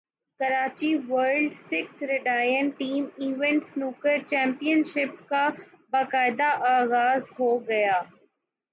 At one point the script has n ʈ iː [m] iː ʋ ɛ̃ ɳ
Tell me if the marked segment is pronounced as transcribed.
yes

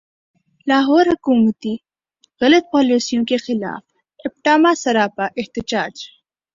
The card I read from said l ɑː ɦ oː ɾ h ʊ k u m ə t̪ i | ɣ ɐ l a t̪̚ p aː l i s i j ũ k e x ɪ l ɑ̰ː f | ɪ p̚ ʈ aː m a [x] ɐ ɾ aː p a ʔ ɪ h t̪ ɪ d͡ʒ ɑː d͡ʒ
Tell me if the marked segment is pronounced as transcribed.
no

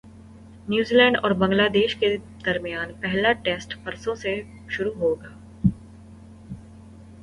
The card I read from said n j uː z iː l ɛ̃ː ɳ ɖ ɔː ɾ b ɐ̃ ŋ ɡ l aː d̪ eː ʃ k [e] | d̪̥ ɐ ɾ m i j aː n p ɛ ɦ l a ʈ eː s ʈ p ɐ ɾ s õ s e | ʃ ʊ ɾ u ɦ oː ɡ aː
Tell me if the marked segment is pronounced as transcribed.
yes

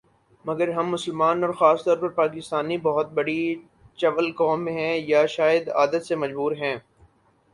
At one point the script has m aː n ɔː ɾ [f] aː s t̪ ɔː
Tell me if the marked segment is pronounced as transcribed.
no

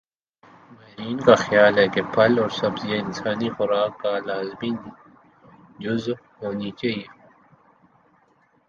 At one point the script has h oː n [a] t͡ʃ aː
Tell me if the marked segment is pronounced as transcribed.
no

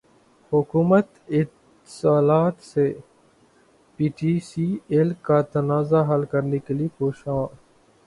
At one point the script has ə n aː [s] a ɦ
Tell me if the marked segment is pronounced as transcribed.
no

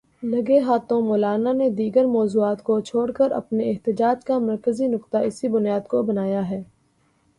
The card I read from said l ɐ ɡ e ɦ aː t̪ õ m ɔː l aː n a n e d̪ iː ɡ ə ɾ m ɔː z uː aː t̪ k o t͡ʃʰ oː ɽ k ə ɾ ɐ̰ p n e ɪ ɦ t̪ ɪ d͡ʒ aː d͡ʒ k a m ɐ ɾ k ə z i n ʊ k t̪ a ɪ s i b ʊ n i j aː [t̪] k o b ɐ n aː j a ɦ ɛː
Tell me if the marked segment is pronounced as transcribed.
no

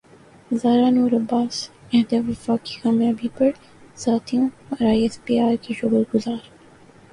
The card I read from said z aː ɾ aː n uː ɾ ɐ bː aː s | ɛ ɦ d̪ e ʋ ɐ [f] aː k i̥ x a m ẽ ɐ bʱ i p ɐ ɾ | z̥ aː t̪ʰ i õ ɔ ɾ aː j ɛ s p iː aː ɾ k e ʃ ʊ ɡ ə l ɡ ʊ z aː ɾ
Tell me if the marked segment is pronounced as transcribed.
yes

